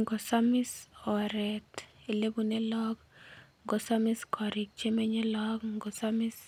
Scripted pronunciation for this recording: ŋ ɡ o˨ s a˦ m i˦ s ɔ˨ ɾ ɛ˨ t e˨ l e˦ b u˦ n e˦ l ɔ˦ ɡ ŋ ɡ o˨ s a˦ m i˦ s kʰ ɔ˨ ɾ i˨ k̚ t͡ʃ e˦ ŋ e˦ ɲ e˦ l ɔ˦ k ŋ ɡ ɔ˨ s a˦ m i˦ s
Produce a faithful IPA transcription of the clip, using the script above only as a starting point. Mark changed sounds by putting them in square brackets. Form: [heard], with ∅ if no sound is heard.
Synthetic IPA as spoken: ŋ ɡ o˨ s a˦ m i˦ s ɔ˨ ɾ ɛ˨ t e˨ l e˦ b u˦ n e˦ l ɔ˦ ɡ ŋ ɡ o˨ s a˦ m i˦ s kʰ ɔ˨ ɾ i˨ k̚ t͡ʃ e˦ [m] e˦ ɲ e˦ l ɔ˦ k ŋ ɡ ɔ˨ s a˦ m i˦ s